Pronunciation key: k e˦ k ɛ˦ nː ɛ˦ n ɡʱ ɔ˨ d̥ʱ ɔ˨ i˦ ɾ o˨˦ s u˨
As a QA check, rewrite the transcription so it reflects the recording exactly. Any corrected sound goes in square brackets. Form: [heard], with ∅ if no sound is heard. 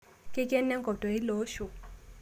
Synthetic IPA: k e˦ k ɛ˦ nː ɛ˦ [ŋ] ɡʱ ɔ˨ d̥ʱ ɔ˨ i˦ [l] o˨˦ [ʃ] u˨